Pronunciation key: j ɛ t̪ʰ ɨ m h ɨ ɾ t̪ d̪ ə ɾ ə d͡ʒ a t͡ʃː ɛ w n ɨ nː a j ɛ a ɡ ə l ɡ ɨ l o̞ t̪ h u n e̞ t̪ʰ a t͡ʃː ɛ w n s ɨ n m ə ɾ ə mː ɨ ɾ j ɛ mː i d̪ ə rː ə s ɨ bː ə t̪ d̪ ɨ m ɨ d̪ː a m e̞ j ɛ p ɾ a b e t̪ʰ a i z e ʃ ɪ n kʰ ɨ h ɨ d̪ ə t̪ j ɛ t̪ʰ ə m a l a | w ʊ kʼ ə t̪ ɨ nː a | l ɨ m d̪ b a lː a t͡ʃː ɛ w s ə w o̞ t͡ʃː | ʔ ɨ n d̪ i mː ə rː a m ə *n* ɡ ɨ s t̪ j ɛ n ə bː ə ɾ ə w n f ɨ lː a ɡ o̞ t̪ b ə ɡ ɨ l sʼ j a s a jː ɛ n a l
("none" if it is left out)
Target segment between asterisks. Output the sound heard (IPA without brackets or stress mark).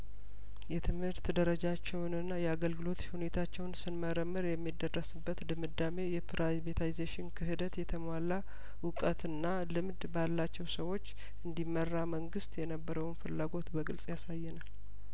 ŋ